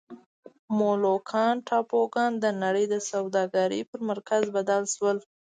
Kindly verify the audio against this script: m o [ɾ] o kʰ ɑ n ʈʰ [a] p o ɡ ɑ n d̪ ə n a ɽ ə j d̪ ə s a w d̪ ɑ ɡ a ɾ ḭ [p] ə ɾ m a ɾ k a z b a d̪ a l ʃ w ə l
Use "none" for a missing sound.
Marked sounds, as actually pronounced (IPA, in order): l, ɑ, p

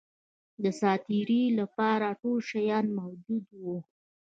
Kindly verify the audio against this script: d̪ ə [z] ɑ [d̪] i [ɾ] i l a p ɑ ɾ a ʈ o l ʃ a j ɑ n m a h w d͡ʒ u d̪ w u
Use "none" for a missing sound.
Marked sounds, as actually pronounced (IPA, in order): s, t̪, ɾ

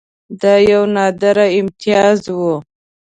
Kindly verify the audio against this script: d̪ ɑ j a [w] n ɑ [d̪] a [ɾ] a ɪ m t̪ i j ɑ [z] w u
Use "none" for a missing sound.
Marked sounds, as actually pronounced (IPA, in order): w, d̪, ɾ, z

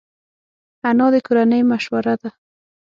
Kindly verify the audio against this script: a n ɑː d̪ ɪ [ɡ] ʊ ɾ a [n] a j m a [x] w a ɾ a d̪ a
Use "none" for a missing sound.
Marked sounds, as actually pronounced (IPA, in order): k, n, ʃ

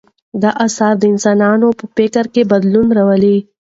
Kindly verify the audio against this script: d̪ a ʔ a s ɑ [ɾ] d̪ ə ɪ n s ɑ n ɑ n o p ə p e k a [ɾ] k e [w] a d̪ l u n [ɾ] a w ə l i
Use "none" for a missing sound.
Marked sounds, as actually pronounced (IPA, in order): ɾ, ɾ, b, ɾ

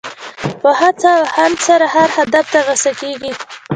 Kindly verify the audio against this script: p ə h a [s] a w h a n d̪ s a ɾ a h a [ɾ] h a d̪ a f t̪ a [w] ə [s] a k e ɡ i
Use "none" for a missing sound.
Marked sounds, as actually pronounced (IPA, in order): t͡s, ɾ, ɣ, s

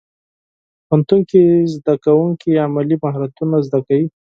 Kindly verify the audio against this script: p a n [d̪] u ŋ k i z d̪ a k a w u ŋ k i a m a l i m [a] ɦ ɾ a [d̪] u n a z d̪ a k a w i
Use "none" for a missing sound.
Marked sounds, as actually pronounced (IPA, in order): t̪, a, t̪

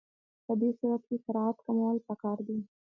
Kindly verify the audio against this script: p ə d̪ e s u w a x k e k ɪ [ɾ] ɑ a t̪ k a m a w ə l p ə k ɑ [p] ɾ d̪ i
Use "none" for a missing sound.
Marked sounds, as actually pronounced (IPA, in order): ɾ, none

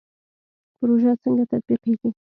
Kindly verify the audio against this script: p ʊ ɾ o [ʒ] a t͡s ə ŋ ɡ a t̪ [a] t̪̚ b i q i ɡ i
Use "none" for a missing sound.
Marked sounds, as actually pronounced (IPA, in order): ʒ, a

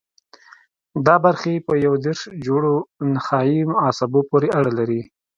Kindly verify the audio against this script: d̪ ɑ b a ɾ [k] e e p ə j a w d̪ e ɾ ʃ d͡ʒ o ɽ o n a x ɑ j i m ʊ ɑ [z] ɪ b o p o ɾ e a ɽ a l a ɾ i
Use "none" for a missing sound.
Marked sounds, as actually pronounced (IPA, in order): x, s

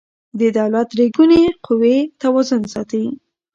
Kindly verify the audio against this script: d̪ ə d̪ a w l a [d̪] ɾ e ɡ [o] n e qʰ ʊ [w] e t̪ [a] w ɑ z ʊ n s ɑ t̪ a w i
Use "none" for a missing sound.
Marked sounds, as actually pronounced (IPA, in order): t̪, u, w, a

